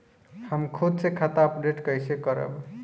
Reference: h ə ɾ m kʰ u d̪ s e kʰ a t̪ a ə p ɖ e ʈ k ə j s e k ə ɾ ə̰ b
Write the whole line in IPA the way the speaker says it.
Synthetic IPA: h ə m kʰ u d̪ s e kʰ a t̪ a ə p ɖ e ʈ k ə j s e k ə ɾ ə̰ b